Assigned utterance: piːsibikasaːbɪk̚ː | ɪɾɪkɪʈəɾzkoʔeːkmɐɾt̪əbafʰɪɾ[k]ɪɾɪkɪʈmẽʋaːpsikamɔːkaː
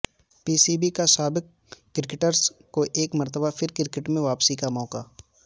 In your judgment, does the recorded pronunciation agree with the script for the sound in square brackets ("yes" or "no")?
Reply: yes